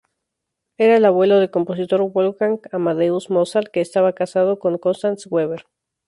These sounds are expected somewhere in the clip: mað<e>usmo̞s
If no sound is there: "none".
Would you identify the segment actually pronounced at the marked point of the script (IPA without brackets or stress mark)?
e